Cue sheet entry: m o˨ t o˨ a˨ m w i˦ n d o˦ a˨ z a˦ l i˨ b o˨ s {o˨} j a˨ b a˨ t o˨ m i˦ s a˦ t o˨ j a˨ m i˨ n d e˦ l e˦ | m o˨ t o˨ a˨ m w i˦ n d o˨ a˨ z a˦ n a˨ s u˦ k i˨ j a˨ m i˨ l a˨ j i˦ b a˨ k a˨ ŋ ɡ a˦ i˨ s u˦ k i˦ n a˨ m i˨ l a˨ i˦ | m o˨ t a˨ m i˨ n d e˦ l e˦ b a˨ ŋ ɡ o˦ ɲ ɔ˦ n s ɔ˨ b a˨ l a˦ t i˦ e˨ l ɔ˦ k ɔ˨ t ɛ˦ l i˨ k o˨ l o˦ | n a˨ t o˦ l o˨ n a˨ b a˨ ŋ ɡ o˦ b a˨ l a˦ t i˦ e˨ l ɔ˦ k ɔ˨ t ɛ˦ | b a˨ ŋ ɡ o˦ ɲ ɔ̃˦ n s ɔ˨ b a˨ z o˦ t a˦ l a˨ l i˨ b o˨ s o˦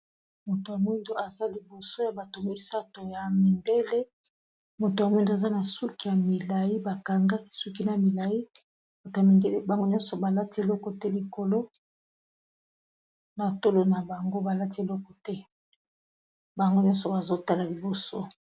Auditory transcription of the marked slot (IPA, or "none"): o˦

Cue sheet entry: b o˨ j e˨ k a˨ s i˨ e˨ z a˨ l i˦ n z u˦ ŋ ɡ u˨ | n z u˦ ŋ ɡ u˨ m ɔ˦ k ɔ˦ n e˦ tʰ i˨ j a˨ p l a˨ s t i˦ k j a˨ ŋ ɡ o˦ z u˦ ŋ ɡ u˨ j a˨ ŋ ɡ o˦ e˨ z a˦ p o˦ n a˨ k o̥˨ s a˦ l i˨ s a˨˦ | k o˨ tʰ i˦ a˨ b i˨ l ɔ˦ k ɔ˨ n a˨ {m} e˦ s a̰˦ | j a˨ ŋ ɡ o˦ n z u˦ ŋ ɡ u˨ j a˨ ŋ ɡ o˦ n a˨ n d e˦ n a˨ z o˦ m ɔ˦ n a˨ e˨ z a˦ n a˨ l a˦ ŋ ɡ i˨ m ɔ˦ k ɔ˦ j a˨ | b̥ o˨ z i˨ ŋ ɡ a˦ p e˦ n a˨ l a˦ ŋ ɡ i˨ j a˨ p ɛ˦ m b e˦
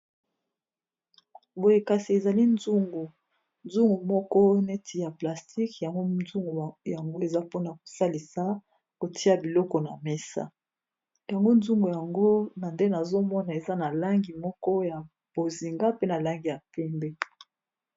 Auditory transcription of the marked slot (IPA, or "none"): m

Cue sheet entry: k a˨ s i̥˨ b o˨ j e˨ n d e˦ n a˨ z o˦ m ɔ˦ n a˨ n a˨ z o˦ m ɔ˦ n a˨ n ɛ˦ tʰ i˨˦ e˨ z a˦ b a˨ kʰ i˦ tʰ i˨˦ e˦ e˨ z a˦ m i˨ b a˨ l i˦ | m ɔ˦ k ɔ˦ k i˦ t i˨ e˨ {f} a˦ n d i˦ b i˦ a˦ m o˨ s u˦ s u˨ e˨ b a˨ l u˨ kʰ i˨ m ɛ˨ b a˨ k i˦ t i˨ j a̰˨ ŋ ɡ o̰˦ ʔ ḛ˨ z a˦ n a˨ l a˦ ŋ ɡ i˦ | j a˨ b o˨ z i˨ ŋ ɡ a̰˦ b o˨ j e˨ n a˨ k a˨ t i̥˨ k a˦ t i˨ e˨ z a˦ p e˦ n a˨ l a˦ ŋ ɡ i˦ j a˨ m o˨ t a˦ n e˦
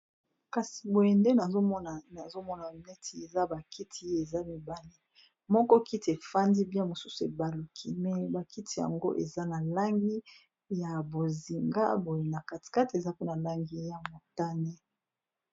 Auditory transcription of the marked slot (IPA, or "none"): f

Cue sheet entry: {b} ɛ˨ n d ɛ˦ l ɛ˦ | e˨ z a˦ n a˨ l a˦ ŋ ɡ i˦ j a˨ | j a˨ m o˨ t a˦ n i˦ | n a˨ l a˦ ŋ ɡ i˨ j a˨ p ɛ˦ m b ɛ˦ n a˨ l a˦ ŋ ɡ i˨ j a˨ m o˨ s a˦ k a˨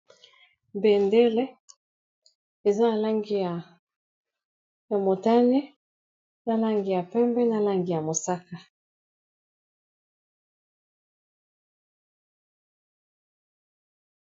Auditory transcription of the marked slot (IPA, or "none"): b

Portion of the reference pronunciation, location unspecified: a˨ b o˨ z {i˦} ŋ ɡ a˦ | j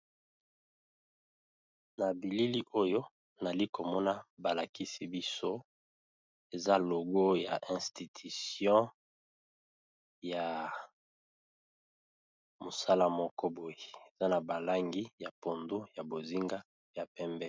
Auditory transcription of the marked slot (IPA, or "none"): i˦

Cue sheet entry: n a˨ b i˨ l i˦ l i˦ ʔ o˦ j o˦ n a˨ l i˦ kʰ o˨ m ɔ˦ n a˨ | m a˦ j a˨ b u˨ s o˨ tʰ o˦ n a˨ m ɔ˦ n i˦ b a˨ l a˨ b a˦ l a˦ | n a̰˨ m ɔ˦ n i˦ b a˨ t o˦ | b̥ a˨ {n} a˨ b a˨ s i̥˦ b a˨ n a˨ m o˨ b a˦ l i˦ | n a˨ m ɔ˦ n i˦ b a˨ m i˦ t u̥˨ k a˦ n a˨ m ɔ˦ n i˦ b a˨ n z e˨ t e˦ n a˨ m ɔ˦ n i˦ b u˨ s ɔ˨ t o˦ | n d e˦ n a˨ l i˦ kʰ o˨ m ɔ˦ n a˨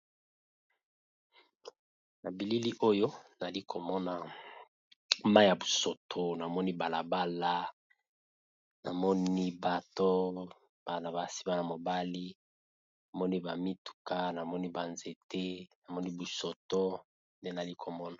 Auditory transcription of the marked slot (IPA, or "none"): n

